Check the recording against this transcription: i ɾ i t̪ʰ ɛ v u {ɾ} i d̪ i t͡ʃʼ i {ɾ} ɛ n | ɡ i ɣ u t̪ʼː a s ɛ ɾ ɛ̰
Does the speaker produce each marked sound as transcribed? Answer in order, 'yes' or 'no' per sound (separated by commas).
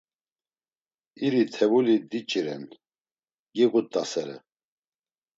no, yes